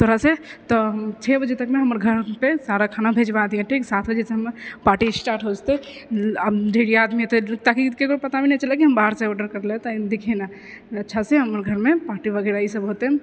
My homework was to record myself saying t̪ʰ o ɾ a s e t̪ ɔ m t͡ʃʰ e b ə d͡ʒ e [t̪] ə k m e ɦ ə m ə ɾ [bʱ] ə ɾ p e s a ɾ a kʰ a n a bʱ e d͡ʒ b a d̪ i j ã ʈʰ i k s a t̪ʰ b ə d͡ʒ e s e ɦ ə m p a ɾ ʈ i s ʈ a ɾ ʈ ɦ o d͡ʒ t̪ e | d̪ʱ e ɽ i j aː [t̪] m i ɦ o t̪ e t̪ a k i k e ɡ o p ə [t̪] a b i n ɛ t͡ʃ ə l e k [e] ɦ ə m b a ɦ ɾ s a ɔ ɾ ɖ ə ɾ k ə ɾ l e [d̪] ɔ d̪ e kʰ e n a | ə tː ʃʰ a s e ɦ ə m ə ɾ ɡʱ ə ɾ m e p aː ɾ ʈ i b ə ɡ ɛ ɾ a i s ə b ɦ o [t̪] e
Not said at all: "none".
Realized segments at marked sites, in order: t̪, ɡʱ, d̪, t̪, i, t̪, t̪

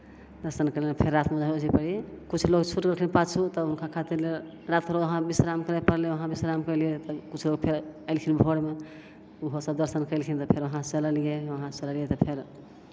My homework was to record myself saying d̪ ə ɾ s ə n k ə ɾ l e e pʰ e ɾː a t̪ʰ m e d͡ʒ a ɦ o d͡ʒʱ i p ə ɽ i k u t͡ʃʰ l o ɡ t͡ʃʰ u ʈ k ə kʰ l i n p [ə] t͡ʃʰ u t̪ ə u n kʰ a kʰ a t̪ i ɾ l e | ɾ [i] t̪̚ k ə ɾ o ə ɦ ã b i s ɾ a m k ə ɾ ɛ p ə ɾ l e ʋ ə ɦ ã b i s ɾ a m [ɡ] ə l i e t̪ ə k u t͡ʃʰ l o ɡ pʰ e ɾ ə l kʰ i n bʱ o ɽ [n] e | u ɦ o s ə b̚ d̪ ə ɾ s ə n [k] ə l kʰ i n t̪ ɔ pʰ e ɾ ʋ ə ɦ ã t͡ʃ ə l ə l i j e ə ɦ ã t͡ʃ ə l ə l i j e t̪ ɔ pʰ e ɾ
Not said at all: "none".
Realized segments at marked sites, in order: a, a, k, m, k

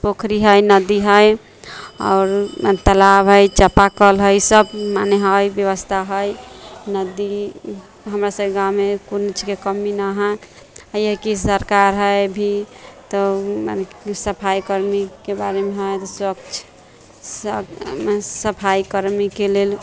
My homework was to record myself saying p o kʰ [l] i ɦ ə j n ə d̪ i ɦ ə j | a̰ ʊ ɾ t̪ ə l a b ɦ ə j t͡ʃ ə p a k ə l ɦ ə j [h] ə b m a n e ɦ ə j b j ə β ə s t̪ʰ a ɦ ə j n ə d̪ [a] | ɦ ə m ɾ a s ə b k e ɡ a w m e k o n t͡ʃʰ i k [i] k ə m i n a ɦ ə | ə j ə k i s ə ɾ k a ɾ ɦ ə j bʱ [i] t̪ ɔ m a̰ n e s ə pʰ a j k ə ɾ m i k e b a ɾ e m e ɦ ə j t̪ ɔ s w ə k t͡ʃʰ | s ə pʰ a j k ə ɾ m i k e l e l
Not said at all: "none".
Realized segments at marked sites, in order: ɾ, s, i, e, i

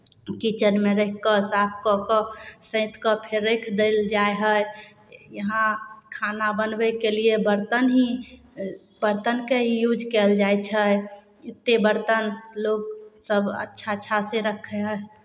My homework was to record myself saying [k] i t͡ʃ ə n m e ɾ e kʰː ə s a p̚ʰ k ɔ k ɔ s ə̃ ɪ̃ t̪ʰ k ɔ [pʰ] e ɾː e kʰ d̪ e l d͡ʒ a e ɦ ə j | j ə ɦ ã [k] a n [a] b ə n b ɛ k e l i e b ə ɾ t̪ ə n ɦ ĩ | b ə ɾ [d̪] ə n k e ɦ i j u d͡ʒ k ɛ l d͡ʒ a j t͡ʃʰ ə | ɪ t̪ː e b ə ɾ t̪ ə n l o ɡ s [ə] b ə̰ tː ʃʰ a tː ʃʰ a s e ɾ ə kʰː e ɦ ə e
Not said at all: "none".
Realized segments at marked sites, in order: k, pʰ, kʰ, a, t̪, ə

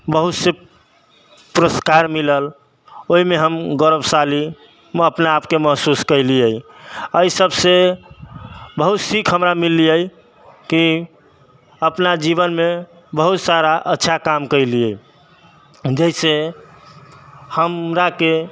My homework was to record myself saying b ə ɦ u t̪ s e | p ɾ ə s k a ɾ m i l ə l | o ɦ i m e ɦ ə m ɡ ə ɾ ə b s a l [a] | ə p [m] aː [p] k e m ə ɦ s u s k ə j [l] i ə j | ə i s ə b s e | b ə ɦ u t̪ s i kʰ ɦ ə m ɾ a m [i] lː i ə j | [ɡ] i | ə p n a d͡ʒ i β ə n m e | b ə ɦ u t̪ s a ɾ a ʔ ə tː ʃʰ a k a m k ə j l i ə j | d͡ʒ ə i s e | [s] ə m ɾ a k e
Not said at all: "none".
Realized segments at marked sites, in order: i, n, p, l, i, k, h

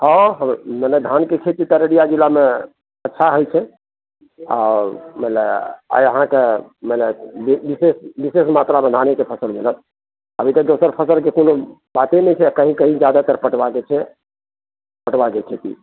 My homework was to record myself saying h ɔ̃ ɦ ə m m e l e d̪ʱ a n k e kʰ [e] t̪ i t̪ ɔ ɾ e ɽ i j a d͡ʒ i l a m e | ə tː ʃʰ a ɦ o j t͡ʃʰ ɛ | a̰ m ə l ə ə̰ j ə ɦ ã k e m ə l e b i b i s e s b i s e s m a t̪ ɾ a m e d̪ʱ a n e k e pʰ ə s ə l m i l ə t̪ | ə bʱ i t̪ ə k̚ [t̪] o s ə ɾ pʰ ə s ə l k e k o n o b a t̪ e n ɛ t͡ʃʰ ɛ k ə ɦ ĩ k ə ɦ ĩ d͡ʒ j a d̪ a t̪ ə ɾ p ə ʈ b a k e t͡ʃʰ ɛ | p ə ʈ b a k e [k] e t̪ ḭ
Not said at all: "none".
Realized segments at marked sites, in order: e, d̪, kʰ

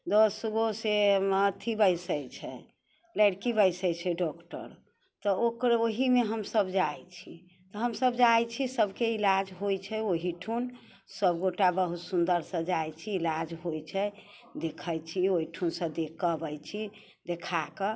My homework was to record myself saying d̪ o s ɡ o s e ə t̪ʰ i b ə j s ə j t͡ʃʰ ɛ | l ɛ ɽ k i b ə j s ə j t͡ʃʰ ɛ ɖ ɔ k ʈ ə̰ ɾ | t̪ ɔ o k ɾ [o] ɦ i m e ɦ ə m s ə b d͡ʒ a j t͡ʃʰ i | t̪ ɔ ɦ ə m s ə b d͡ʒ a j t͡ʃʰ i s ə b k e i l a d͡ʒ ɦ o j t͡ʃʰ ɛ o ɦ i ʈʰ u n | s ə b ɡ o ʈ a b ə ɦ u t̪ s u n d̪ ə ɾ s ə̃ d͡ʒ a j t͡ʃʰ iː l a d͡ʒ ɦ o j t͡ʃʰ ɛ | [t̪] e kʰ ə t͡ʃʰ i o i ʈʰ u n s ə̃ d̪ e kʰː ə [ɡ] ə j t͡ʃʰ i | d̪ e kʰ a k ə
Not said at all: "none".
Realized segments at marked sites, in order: o, d̪, b

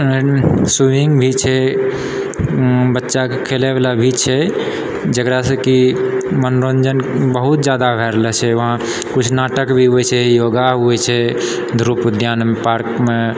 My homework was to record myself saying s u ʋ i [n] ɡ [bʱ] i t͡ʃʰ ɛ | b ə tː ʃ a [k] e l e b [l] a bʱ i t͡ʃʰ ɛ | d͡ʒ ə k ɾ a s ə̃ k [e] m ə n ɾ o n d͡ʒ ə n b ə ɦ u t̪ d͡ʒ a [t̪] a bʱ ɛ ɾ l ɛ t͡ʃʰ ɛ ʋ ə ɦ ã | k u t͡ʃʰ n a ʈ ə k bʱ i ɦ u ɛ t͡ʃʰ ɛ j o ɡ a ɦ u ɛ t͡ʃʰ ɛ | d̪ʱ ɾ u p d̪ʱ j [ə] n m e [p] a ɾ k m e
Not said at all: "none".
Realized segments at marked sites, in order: ŋ, bʱ, kʰ, l, i, d̪, a, p

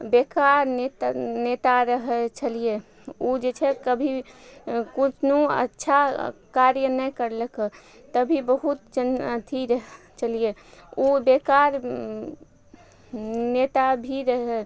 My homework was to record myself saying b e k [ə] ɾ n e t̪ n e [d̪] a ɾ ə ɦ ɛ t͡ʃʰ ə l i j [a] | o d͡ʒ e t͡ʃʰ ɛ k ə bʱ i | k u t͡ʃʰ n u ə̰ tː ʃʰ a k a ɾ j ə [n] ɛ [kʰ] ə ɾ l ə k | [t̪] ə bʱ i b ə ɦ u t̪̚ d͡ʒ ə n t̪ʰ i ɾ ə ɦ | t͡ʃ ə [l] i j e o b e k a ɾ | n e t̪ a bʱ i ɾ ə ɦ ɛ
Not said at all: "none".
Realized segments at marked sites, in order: a, t̪, e, n, k, t̪, l

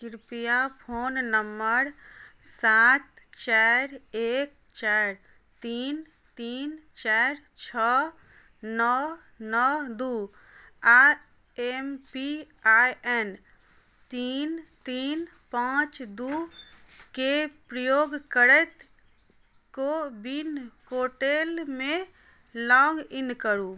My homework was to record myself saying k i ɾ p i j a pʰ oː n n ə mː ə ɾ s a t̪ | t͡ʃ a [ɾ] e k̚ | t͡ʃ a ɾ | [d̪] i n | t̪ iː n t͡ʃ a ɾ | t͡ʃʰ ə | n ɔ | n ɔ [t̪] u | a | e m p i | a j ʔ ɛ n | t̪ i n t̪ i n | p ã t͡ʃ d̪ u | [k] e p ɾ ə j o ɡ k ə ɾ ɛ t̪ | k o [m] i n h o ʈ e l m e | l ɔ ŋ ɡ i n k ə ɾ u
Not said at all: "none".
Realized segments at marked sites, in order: ɾ, t̪, d̪, k, b

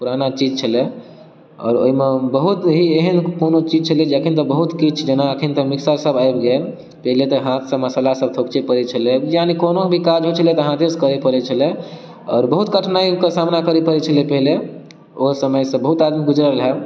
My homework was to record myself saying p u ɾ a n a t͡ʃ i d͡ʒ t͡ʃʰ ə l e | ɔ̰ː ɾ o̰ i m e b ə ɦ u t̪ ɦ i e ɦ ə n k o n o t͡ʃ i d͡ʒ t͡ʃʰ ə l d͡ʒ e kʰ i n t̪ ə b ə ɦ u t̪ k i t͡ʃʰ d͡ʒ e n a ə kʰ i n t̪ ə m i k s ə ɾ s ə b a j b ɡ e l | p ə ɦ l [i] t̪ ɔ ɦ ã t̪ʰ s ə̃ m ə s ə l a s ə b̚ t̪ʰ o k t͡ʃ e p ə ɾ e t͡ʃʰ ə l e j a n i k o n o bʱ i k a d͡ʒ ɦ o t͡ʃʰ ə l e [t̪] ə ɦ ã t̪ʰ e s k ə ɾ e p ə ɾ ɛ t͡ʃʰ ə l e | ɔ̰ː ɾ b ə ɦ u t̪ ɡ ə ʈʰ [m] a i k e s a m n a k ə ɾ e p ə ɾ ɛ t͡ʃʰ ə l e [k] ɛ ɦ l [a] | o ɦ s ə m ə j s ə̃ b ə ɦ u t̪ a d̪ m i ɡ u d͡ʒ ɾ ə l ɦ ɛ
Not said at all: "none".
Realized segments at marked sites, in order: e, t̪, n, p, e

